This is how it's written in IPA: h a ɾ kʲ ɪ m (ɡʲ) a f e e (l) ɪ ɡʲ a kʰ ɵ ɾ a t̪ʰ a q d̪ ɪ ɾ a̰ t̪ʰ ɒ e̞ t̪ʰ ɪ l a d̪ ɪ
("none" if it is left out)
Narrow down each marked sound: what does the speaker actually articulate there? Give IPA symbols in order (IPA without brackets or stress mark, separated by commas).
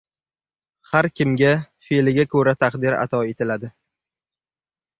ɡʲ, l